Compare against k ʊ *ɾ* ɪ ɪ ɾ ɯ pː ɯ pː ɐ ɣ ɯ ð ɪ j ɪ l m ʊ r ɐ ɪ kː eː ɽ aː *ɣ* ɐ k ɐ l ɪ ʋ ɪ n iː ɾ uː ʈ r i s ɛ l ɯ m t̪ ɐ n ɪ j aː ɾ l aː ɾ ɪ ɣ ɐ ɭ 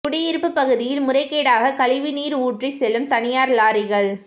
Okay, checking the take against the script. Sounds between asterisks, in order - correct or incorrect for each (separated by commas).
incorrect, correct